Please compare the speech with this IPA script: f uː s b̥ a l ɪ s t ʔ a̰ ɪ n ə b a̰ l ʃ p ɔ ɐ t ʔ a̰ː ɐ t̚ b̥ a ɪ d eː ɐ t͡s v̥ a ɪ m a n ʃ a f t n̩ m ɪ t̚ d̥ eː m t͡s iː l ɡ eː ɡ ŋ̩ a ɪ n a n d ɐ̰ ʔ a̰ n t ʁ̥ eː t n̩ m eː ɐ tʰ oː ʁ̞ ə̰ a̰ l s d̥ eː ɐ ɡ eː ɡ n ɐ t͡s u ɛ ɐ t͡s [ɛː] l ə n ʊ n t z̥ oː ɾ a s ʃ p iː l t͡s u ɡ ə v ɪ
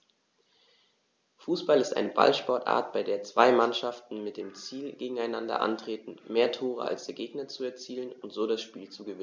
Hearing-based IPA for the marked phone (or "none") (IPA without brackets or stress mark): iː